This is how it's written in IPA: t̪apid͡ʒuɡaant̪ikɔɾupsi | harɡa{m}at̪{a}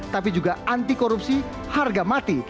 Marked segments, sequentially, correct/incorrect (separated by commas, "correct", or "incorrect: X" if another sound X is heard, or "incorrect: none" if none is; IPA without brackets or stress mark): correct, incorrect: i